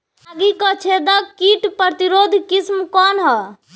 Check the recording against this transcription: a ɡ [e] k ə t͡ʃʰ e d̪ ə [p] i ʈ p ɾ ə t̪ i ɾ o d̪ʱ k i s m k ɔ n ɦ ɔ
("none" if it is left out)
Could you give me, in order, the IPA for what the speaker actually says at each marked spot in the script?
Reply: i, k

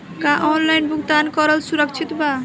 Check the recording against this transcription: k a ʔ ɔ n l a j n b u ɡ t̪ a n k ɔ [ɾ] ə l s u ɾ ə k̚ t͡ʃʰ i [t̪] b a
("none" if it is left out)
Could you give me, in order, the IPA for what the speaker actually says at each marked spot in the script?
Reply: ɾ, t̪

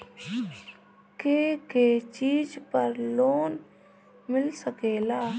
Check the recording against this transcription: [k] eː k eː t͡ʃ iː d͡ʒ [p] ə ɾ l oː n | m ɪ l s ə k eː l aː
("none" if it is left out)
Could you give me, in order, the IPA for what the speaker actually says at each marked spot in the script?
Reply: k, p

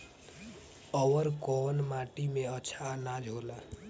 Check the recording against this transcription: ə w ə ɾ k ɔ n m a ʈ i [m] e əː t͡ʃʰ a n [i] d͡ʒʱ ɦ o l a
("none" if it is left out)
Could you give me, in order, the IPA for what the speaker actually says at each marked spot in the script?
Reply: m, a

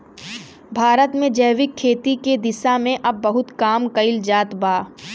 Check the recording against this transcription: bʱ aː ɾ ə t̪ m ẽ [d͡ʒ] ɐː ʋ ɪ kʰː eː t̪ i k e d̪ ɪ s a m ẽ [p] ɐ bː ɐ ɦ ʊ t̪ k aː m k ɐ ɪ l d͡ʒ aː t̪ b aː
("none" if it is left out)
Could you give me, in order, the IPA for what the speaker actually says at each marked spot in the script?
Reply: d͡ʒ, ʔ

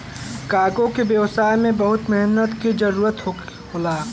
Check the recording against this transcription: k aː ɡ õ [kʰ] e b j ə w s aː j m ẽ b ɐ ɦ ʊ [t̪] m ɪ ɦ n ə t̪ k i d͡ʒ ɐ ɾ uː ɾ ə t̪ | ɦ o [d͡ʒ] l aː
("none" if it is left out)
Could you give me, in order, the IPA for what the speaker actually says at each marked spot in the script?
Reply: k, t̪, none

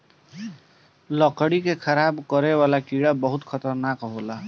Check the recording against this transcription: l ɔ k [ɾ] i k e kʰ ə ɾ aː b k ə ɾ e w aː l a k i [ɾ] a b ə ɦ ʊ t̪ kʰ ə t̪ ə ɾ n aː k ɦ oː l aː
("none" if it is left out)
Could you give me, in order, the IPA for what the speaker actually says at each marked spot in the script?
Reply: ɽ, ɽ

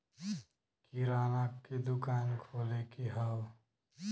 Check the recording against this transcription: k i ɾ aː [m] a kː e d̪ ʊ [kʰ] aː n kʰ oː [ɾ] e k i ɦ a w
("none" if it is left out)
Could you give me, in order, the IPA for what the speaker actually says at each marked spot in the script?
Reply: n, k, l

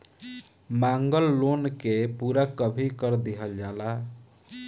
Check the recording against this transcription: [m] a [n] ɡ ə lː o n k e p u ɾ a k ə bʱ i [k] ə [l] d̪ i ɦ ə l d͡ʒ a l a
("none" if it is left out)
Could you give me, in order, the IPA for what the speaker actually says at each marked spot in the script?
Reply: m, ŋ, k, ɾ

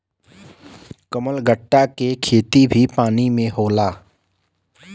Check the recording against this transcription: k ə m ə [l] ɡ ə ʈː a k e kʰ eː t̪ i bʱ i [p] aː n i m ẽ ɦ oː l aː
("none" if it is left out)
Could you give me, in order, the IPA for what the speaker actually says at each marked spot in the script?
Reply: l, p

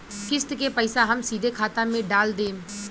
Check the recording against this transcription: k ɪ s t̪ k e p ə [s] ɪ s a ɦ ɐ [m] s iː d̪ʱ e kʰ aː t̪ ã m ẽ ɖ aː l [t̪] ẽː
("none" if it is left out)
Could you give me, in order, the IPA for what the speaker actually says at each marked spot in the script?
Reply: none, m, d̪

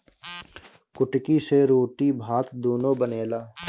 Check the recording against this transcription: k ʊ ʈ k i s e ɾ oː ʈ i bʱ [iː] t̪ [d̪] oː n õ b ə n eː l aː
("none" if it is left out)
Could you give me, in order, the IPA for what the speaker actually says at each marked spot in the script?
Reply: aː, d̪

